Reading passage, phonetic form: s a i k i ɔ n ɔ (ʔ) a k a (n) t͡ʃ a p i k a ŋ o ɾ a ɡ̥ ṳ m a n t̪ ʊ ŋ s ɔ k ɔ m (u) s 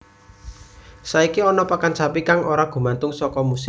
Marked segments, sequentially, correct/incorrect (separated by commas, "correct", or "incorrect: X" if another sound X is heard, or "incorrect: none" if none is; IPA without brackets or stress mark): incorrect: p, correct, correct